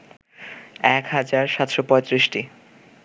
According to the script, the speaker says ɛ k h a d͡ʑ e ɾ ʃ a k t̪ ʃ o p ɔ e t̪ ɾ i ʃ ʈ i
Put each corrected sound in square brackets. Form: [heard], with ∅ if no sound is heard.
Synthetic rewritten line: ɛ k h a d͡ʑ [a] ɾ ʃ a [∅] t̪ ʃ o p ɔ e t̪ ɾ i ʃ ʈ i

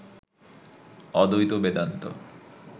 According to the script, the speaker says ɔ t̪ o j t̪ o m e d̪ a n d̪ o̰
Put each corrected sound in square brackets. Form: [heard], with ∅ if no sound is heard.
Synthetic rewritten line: ɔ [d̪] o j t̪ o [b] e d̪ a n [t̪] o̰

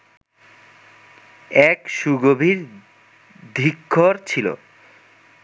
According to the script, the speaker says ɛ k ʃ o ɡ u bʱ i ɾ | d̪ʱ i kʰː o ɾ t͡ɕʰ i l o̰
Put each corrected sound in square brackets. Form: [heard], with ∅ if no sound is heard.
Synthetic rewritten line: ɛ k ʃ [u] ɡ [o] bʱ i ɾ | d̪ʱ i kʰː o ɾ t͡ɕʰ i l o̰

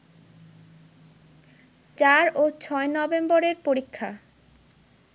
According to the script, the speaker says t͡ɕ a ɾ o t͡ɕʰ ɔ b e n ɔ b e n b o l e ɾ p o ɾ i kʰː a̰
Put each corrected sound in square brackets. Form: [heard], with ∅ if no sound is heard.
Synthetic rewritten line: t͡ɕ a ɾ o t͡ɕʰ ɔ [∅] e n ɔ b e [m] b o [ɾ] e ɾ p o ɾ i kʰː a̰

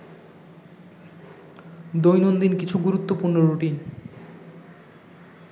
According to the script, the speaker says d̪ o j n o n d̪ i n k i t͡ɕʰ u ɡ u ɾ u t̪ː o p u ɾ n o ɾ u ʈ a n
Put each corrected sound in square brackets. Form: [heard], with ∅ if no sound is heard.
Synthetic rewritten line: d̪ o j n o n d̪ i n k i t͡ɕʰ u ɡ u ɾ u t̪ː o p u ɾ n o ɾ u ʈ [i] n

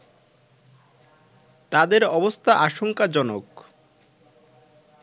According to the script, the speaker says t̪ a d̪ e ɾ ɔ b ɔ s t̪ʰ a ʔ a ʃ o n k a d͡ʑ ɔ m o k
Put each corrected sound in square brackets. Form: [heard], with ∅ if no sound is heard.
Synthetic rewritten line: t̪ a d̪ e ɾ ɔ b [o] s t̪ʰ a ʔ a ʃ o [ŋ] k a d͡ʑ ɔ [n] o k

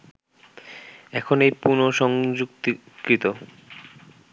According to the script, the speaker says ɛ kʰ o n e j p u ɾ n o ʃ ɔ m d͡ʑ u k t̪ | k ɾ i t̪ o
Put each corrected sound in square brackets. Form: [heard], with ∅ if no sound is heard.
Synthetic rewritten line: ɛ kʰ o n e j p u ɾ n o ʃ ɔ [ŋ] d͡ʑ u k t̪ | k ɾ i t̪ o

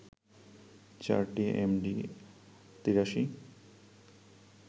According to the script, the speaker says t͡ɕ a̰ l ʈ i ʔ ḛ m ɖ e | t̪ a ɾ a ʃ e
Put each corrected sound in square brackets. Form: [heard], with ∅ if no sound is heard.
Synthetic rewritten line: t͡ɕ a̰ [ɾ] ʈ i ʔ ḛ m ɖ [i] | t̪ [i] ɾ a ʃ [i]

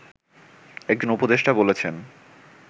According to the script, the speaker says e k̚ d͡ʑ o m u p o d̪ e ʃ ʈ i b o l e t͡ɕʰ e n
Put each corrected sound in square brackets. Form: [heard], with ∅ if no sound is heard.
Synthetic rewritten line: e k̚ d͡ʑ o [n] u p o d̪ e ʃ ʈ [a] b o l e t͡ɕʰ e n

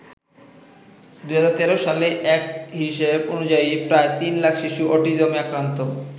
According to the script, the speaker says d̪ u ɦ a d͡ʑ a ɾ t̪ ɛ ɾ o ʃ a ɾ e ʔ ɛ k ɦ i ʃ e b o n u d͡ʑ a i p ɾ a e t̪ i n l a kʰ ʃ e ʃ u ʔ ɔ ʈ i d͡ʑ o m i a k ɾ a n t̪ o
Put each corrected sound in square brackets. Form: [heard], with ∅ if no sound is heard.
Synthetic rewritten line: d̪ u ɦ a d͡ʑ a ɾ t̪ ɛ ɾ o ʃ a [l] e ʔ ɛ k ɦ i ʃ e b o n u d͡ʑ a i p ɾ a e t̪ i n l a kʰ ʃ [i] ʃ u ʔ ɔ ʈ i d͡ʑ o m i a k ɾ a n t̪ o

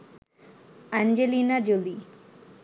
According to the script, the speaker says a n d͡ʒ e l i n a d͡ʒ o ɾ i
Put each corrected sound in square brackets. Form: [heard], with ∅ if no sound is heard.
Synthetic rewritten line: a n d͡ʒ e l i n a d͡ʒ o [l] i

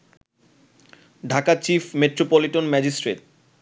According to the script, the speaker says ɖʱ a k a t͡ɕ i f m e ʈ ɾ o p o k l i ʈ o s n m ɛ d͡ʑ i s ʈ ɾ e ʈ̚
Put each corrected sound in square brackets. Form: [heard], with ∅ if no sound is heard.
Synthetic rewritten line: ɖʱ a k a t͡ɕ i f m e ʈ ɾ o p o [∅] l i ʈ o [∅] n m ɛ d͡ʑ i s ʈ ɾ e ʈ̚

